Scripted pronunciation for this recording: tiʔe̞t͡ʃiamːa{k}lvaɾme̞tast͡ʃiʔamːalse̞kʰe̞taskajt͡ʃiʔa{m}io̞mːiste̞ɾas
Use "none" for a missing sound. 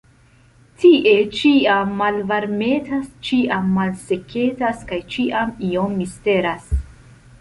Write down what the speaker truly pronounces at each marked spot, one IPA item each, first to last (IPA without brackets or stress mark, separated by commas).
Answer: none, m